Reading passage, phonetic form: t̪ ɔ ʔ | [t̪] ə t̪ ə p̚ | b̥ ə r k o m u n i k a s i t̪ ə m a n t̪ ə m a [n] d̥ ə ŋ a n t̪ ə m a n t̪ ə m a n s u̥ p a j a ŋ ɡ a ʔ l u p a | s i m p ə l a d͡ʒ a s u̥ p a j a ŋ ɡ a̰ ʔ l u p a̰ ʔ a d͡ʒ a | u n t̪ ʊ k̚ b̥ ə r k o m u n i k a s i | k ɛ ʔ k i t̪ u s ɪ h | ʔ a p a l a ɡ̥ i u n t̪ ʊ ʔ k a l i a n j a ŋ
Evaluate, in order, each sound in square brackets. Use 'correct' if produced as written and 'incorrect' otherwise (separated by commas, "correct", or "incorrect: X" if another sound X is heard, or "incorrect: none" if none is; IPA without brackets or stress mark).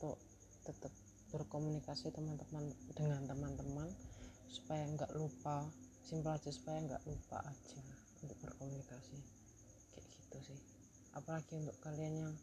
correct, correct